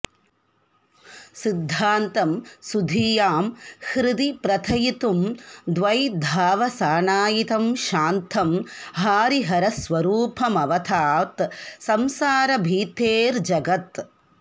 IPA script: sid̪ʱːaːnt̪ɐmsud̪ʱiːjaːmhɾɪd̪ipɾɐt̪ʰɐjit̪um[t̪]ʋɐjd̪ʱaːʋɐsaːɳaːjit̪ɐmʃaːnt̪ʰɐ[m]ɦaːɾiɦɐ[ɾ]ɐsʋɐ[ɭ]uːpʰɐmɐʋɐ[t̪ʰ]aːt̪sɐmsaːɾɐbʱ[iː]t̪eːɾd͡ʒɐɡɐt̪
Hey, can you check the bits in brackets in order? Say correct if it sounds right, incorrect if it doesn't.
incorrect, correct, correct, incorrect, correct, correct

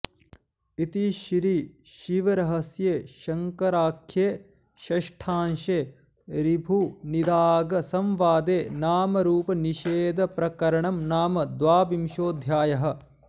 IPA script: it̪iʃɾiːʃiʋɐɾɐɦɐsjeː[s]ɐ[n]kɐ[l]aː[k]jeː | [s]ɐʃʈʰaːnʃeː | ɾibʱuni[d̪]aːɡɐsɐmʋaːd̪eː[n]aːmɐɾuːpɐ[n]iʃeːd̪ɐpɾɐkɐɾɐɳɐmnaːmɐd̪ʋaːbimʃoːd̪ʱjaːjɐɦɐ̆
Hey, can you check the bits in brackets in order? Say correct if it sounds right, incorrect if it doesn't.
incorrect, incorrect, incorrect, incorrect, incorrect, correct, correct, correct

